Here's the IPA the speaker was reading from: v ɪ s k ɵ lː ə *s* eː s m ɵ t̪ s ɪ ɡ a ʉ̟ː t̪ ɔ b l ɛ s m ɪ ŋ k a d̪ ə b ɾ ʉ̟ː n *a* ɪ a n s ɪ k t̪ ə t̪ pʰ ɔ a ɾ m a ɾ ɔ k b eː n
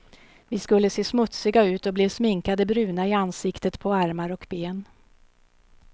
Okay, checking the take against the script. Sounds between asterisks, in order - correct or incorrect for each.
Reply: correct, correct

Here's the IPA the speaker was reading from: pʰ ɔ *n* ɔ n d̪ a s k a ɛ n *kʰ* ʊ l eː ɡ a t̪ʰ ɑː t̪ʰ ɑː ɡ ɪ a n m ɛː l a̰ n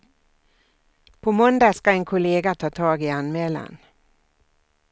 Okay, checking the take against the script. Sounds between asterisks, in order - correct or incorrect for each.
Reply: incorrect: m, correct

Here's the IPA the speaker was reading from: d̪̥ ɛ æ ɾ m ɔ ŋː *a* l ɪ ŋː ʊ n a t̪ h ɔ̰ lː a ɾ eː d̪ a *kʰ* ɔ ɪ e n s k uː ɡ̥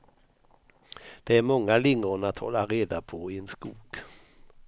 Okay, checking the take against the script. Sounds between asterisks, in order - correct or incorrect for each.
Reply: correct, incorrect: pʰ

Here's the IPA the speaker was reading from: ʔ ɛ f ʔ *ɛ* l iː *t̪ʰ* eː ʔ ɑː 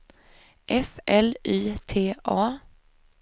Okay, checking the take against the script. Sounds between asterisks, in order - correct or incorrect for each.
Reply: correct, correct

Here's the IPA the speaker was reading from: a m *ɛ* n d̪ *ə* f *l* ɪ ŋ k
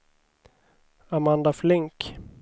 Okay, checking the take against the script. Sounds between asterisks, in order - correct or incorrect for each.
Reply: incorrect: a, incorrect: a, correct

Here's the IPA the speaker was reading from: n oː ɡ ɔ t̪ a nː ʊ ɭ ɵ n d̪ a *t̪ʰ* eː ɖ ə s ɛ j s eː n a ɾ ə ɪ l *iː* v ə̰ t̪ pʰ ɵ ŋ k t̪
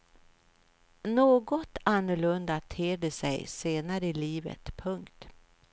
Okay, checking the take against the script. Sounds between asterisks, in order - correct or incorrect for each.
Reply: correct, correct

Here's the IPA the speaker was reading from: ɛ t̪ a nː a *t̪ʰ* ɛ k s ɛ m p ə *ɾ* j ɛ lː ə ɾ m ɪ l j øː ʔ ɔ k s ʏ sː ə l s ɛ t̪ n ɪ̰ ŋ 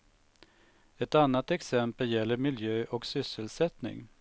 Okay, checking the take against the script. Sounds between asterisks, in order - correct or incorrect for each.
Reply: incorrect: t̪, incorrect: l

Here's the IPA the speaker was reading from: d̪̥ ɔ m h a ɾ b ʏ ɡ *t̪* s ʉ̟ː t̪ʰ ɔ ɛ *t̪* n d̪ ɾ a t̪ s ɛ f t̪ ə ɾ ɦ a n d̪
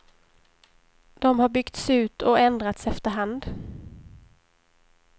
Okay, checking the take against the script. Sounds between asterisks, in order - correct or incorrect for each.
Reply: correct, incorrect: none

